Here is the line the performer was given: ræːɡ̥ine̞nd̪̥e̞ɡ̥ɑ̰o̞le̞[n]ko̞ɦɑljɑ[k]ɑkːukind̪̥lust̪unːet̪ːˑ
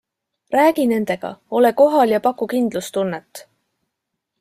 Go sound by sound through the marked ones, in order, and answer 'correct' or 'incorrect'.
incorrect, incorrect

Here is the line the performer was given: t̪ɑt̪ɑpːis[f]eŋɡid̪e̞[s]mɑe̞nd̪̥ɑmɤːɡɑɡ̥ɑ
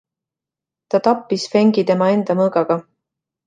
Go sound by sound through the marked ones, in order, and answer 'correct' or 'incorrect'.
correct, incorrect

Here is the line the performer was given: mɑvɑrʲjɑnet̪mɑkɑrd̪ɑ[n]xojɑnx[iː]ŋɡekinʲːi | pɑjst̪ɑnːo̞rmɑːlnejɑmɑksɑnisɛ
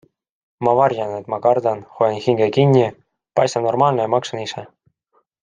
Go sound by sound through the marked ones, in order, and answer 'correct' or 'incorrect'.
correct, incorrect

